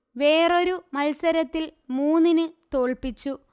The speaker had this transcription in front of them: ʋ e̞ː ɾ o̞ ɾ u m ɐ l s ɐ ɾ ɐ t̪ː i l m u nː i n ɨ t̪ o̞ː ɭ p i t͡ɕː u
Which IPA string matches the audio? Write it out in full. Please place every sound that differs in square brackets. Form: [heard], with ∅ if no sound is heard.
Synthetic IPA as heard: ʋ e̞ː [r] o̞ ɾ u m ɐ l s ɐ ɾ ɐ t̪ː i l m [uː] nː i n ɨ t̪ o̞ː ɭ p i t͡ɕː u